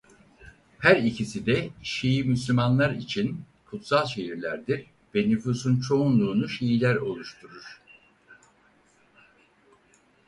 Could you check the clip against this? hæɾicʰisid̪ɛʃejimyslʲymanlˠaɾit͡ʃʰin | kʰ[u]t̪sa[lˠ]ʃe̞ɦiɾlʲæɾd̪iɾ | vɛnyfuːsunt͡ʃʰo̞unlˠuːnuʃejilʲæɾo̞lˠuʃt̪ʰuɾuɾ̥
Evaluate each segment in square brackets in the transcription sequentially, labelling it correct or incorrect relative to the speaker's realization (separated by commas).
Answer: correct, correct